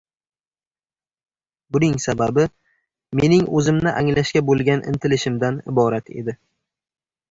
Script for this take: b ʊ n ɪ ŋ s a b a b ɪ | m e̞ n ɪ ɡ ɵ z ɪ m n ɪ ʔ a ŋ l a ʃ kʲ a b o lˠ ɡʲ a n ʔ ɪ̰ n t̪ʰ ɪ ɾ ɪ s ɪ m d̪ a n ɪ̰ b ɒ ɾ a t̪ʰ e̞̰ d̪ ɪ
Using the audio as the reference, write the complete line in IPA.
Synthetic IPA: b ʊ n ɪ ŋ s a b a b ɪ | m e̞ n ɪ ŋ ɵ z ɪ m n ɪ ʔ a ŋ l a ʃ kʲ a b o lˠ ɡʲ a n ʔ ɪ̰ n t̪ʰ ɪ l ɪ ʃ ɪ m d̪ a n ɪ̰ b ɒ ɾ a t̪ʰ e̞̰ d̪ ɪ